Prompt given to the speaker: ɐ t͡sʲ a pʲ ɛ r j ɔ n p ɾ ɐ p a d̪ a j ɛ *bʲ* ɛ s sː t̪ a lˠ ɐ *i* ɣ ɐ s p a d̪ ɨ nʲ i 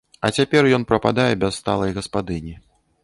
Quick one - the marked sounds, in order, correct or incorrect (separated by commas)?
correct, incorrect